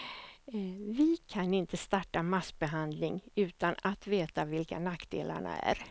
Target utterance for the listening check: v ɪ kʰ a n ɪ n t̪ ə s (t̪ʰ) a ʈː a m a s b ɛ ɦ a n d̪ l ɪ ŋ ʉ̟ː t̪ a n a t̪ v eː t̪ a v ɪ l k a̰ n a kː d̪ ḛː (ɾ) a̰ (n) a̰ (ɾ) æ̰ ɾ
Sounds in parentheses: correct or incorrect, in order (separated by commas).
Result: incorrect, incorrect, incorrect, incorrect